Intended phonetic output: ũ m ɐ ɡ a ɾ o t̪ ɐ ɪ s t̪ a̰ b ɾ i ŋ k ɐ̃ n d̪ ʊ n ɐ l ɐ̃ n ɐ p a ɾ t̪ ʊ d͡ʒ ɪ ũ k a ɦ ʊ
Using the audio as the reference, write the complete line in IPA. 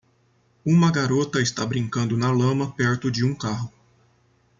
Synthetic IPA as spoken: ũ m ɐ ɡ a ɾ o t̪ ɐ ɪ s t̪ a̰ b ɾ ĩ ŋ k ɐ̃ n d̪ ʊ n ɐ l ɐ̃ m ɐ p ɛ ɾ t̪ ʊ d͡ʒ ɪ ũ k a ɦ ʊ